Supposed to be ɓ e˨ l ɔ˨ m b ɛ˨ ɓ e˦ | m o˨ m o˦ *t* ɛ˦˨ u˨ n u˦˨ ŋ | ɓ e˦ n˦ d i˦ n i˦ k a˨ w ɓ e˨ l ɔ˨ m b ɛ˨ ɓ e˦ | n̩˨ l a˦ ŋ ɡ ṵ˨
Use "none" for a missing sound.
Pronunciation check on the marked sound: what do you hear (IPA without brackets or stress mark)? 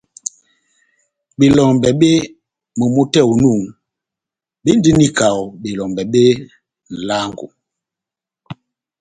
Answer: t